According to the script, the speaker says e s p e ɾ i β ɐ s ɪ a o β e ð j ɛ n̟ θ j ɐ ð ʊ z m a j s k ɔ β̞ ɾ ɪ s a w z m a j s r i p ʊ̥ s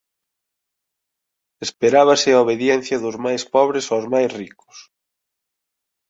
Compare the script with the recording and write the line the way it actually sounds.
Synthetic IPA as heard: e s p e ɾ a β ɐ s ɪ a o β e ð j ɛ n̟ θ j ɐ ð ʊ z m a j s p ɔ β̞ ɾ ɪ s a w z m a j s r i k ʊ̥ s